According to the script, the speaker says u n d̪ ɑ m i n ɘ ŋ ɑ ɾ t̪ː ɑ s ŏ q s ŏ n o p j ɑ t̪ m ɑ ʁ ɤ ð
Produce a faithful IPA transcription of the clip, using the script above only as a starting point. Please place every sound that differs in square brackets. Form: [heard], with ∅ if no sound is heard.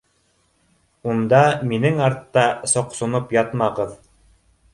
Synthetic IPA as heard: u n d̪ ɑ m i n ɘ ŋ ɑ ɾ t̪ː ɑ s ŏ q s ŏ n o p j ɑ t̪ m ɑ ʁ ɤ ð